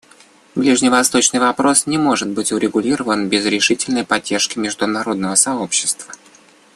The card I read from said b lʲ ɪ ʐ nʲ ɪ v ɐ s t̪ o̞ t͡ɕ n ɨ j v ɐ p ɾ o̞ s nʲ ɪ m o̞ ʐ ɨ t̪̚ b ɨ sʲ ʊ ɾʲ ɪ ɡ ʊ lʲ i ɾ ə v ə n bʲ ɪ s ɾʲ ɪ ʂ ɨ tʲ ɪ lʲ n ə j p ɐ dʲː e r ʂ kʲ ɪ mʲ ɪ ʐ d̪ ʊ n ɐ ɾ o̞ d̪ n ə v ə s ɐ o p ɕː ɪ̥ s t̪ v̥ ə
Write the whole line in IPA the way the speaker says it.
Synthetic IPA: b lʲ i ʐ nʲ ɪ v ɐ s t̪ o̞ t͡ɕ n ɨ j v ɐ p ɾ o̞ s nʲ ɪ m o̞ ʐ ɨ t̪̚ b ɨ tʲ ʊ ɾʲ ɪ ɡ ʊ lʲ i ɾ ə v ə n bʲ ɪ z ɾʲ ɪ ʂ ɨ tʲ ɪ lʲ n ə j p ɐ dʲː e r ʂ kʲ ɪ mʲ ɪ ʐ d̪ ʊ n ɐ ɾ o̞ d̪ n ə v ə s ɐ o p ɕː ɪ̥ s t̪ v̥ ə